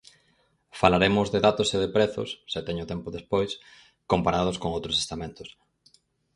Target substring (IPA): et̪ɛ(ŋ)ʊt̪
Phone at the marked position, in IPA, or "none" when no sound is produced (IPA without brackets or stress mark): ɲ